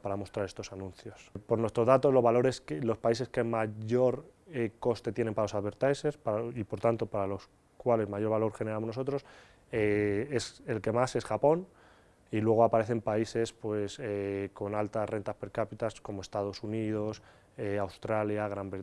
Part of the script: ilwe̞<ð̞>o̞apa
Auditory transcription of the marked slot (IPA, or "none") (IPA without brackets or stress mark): ɣ̞